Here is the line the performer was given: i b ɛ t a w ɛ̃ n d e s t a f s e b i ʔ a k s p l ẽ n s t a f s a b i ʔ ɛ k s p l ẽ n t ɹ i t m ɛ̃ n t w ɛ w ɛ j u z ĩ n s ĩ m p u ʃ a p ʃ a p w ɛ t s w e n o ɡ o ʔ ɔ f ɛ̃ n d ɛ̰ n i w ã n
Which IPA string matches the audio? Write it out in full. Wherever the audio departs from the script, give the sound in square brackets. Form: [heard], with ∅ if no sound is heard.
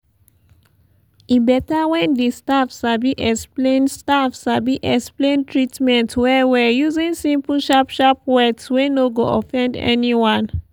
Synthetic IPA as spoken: i b ɛ t a w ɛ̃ n d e s t a f s [a] b i ʔ [ɛ] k s p l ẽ n s t a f s a b i ʔ ɛ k s p l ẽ n t ɹ i t m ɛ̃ n t w ɛ w ɛ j u z ĩ n s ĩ m p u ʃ a p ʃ a p w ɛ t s w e n o ɡ o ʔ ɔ f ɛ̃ n d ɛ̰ n i w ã n